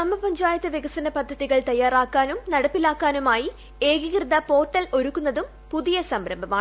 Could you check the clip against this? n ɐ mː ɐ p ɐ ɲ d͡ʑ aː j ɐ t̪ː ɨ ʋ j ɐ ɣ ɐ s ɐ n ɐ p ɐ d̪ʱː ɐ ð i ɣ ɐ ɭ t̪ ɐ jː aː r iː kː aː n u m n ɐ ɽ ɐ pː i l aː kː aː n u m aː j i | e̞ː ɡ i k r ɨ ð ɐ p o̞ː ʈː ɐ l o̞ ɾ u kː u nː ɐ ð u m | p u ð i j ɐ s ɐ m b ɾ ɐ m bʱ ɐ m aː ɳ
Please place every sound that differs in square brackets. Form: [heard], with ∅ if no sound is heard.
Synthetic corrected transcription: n ɐ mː ɐ p ɐ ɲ d͡ʑ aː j ɐ t̪ː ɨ ʋ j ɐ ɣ ɐ s ɐ n ɐ p ɐ d̪ʱː ɐ ð i ɣ ɐ ɭ t̪ ɐ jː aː r [aː] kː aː n u m n ɐ ɽ ɐ pː i l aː kː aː n u m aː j i | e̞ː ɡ i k r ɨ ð ɐ p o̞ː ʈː ɐ l o̞ ɾ u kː u nː ɐ ð u m | p u ð i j ɐ s ɐ m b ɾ ɐ m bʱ ɐ m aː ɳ

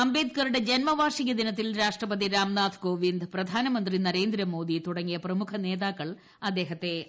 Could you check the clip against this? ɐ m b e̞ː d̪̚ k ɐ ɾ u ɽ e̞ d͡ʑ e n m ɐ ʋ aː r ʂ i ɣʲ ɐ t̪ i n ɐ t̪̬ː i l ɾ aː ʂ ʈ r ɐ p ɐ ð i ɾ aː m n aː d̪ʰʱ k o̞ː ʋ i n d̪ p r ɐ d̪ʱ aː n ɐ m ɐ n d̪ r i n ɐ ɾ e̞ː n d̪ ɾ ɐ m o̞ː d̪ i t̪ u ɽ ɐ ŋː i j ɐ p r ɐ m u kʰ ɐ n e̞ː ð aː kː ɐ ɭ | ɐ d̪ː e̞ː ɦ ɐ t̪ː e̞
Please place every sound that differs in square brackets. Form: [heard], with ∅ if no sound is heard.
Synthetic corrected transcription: ɐ m b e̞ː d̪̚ k ɐ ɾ u ɽ e̞ d͡ʑ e n m ɐ ʋ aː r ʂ i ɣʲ ɐ [d̪] i n ɐ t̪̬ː i l ɾ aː ʂ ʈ r ɐ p ɐ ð i ɾ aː m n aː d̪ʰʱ k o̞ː ʋ i n d̪ p r ɐ d̪ʱ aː n ɐ m ɐ n d̪ r i n ɐ ɾ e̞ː n d̪ ɾ ɐ m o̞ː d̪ i t̪ u ɽ ɐ ŋː i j ɐ p r ɐ m u kʰ ɐ n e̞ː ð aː kː ɐ ɭ | ɐ d̪ː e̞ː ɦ ɐ t̪ː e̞

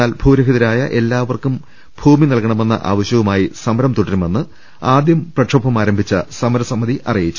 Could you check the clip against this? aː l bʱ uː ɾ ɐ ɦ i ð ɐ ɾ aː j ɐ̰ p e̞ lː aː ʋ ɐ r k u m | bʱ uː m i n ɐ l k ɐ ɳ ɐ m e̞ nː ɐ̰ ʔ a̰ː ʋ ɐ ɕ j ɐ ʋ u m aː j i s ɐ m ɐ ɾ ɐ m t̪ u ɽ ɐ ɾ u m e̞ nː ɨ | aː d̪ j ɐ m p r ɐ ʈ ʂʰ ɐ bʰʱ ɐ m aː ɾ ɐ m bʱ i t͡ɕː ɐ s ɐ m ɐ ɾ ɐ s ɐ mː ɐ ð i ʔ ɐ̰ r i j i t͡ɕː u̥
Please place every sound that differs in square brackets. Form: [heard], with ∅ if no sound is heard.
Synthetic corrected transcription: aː l bʱ uː ɾ ɐ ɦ i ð ɐ ɾ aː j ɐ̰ [ʔ] e̞ lː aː ʋ ɐ r k u m | bʱ uː m i n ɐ l k ɐ ɳ ɐ m e̞ nː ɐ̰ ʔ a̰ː ʋ ɐ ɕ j ɐ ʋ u m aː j i s ɐ m ɐ ɾ ɐ m t̪ u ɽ ɐ ɾ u m e̞ nː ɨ | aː d̪ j ɐ m p r ɐ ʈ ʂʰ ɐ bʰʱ ɐ m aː ɾ ɐ m bʱ i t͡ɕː ɐ s ɐ m ɐ ɾ ɐ s ɐ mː ɐ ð i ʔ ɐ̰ r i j i t͡ɕː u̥

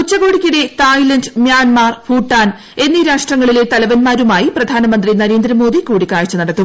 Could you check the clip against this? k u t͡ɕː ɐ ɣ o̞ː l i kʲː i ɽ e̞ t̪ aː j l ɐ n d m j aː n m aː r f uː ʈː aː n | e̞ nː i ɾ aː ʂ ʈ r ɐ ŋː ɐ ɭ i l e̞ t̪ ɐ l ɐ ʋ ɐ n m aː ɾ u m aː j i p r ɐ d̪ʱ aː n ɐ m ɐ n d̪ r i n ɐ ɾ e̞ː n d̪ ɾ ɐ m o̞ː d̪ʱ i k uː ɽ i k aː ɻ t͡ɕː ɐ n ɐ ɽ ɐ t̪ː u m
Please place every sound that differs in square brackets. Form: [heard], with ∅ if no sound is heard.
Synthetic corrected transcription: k u t͡ɕː ɐ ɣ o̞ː [ɽ] i kʲː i ɽ e̞ t̪ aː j l ɐ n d m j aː n m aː r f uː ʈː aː n | e̞ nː i ɾ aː ʂ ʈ r ɐ ŋː ɐ ɭ i l e̞ t̪ ɐ l ɐ ʋ ɐ n m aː ɾ u m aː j i p r ɐ d̪ʱ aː n ɐ m ɐ n d̪ r i n ɐ ɾ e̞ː n d̪ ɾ ɐ m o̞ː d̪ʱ i k uː ɽ i k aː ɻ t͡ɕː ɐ n ɐ ɽ ɐ t̪ː u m

